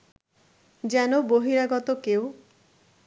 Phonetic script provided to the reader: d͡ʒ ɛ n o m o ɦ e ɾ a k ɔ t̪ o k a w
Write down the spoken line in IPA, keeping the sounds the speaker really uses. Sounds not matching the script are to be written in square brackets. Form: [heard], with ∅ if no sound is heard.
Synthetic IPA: d͡ʒ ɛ n o [b] o ɦ [i] ɾ a [ɡ] ɔ t̪ o k [e] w